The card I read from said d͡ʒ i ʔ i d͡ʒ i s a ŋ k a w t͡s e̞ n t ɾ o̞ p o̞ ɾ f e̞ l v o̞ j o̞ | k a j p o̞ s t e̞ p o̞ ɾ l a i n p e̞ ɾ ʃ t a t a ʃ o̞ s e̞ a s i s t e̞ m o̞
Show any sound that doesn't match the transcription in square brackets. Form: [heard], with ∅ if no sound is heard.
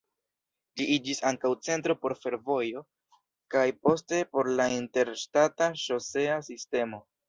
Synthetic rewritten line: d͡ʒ i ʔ i d͡ʒ i s a ŋ k a w t͡s e̞ n t ɾ o̞ p o̞ ɾ f e̞ [ɾ] v o̞ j o̞ | k a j p o̞ s t e̞ p o̞ ɾ l a i n [t] e̞ ɾ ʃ t a t a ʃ o̞ s e̞ a s i s t e̞ m o̞